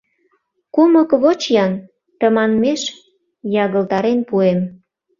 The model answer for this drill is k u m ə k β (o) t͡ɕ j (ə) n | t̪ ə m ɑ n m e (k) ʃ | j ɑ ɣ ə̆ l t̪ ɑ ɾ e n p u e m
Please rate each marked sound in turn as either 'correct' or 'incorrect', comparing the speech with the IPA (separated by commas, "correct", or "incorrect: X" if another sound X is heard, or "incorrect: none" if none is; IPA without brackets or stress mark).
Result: correct, incorrect: ɑ, incorrect: none